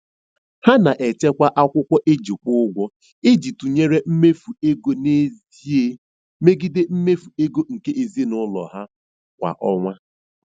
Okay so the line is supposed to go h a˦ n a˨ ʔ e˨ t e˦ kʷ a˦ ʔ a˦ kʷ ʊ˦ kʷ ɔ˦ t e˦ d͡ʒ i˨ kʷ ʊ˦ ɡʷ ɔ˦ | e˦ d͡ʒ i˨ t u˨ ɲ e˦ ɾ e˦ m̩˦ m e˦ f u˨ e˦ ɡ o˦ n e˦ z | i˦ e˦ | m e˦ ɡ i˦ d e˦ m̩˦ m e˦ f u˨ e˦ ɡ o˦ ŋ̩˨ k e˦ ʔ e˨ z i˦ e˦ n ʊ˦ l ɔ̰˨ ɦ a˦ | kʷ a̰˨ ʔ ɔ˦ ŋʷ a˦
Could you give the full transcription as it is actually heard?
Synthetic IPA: h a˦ n a˨ ʔ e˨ t͡ʃ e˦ kʷ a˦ ʔ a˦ kʷ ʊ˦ kʷ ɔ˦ ʔ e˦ d͡ʒ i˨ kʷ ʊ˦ ɡʷ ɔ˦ | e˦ d͡ʒ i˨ t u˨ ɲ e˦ ɾ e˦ m̩˦ m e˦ f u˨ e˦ ɡ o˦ n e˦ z | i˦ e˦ | m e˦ ɡ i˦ d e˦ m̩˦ m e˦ f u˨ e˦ ɡ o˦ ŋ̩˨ k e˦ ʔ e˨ z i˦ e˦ n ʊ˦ l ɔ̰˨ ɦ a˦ | kʷ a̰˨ ʔ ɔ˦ ŋʷ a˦